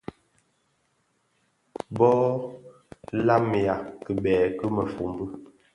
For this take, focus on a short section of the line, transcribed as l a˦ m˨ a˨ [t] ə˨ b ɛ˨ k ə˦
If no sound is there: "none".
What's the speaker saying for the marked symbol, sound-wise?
k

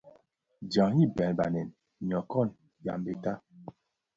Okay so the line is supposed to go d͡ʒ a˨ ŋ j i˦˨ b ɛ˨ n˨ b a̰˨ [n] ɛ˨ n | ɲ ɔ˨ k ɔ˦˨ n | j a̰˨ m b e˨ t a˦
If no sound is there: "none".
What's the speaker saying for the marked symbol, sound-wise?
n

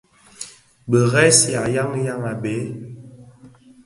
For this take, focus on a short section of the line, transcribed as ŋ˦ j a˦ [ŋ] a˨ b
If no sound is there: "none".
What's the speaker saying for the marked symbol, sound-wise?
ŋ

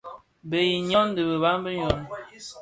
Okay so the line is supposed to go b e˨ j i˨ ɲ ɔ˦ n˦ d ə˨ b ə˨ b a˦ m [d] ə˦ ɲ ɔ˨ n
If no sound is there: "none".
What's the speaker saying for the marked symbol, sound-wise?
b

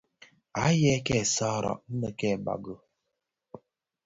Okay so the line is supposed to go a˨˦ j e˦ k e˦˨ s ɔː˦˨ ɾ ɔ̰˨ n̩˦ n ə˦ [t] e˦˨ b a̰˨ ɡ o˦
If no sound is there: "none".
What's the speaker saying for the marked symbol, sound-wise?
k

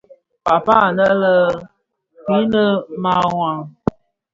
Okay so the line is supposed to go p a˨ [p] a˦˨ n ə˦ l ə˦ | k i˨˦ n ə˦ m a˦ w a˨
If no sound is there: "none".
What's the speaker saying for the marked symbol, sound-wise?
p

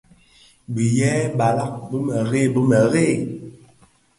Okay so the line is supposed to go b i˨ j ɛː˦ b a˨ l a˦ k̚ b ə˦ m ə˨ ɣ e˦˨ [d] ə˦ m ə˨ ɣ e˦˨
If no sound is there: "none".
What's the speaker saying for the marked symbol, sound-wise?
b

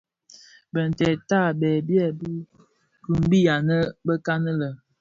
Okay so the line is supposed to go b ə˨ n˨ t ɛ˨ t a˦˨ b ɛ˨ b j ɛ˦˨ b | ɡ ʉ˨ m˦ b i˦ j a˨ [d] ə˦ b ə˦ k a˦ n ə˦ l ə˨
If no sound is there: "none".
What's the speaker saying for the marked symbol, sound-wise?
n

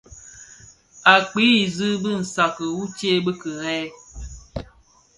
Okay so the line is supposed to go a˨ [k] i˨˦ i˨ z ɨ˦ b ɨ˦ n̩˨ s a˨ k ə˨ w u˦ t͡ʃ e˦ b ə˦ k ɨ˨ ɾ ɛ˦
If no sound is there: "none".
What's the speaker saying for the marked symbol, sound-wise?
k͡p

